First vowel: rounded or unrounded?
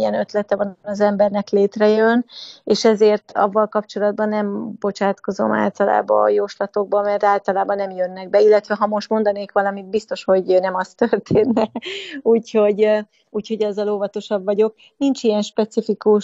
unrounded